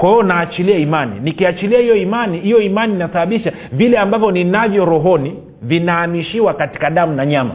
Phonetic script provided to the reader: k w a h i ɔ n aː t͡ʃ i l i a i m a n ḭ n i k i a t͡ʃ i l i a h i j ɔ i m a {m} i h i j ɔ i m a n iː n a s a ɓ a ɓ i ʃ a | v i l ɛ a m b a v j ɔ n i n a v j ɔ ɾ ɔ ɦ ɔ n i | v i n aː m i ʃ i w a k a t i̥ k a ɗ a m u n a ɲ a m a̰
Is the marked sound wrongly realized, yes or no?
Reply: yes